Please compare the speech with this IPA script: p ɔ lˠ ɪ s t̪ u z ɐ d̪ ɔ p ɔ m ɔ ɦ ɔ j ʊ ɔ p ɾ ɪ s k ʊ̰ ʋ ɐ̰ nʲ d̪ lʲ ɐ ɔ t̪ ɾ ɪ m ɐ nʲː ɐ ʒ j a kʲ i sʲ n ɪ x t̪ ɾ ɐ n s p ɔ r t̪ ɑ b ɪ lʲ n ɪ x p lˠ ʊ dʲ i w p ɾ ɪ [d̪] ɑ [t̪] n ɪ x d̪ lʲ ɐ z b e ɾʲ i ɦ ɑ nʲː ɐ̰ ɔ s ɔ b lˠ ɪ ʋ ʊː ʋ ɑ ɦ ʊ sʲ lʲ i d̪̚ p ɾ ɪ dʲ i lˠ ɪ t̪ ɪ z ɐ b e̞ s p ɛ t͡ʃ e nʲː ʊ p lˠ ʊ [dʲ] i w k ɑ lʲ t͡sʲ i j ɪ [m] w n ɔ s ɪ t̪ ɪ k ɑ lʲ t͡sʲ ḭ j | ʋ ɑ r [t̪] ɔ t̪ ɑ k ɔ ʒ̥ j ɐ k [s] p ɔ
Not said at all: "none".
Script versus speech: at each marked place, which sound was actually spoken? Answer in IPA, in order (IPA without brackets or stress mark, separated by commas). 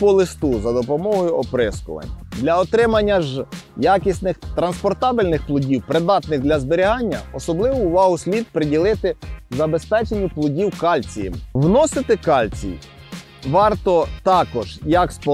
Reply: d̪, t̪, dʲ, m, t̪, s